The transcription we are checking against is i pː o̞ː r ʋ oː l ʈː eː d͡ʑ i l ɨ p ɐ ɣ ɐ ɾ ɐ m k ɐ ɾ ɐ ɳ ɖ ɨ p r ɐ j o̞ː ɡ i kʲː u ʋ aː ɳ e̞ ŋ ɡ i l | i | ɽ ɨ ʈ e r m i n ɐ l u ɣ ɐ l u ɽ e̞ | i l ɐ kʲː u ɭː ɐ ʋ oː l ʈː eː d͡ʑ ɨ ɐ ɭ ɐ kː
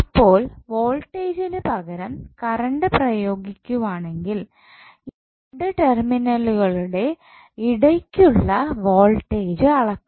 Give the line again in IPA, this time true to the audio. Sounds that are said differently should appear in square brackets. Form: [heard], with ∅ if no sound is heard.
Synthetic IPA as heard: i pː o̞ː [l] ʋ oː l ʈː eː d͡ʑ i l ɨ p ɐ ɣ ɐ ɾ ɐ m k ɐ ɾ ɐ ɳ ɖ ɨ p r ɐ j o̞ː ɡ i kʲː u ʋ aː ɳ e̞ ŋ ɡ i l | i | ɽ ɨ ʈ e r m i n ɐ l u ɣ ɐ [ɭ] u ɽ e̞ | i [ɽ] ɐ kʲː u ɭː ɐ ʋ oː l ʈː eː d͡ʑ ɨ ɐ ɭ ɐ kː